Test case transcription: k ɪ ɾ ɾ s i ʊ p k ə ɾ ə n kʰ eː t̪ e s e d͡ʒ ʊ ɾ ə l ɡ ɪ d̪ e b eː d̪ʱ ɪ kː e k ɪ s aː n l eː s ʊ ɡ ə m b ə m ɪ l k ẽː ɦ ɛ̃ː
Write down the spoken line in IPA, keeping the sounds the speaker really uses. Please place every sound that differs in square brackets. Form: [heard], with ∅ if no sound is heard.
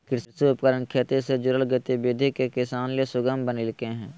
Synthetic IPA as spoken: k ɪ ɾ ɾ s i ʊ p k ə ɾ ə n kʰ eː t̪ e s e d͡ʒ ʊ ɾ ə l ɡ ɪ [t̪] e b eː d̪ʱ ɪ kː e k ɪ s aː n l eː s ʊ ɡ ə m b ə [n] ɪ l k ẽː ɦ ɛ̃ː